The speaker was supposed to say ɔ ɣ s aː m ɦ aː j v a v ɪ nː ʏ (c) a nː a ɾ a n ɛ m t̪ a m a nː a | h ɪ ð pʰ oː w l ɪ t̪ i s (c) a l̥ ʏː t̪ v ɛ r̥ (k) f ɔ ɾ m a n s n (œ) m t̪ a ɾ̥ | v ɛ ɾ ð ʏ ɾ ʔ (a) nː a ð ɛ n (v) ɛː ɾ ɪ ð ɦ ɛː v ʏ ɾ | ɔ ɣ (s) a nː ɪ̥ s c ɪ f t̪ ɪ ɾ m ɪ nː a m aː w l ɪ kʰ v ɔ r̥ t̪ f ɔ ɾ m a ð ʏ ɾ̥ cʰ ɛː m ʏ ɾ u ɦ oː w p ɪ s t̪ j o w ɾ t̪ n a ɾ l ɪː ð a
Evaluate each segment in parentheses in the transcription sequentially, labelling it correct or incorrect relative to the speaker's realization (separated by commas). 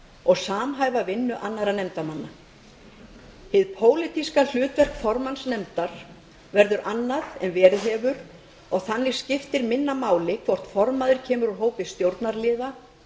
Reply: incorrect, incorrect, correct, incorrect, correct, correct, incorrect